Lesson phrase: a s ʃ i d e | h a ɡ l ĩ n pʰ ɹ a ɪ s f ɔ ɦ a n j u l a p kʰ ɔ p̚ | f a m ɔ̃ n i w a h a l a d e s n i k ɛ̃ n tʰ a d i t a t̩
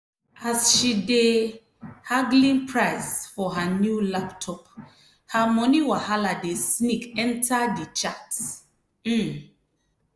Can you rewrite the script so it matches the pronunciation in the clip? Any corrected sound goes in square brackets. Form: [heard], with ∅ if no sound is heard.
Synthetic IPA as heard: a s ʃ i d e | h a ɡ l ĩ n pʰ ɹ a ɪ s f ɔ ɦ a n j u l a p [tʰ] ɔ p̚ | [h] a m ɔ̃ n i w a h a l a d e s n i k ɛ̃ n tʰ a d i [t͡ʃ] a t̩